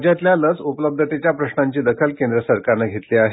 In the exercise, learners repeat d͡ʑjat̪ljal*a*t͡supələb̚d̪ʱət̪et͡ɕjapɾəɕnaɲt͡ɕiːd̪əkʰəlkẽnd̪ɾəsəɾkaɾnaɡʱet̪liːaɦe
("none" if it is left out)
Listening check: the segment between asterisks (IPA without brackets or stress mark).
ə